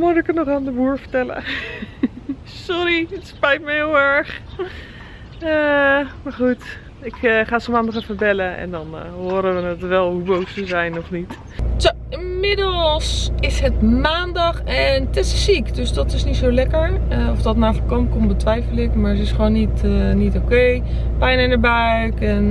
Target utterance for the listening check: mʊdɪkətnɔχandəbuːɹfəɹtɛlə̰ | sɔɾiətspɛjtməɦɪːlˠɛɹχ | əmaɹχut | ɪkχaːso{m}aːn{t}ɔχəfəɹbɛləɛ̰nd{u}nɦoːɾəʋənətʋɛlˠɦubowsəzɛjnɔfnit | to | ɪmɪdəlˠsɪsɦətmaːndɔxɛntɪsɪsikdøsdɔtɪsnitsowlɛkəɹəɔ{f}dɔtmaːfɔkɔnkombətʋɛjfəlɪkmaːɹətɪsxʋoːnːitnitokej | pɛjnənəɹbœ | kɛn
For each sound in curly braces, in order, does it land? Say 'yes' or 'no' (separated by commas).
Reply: yes, no, no, yes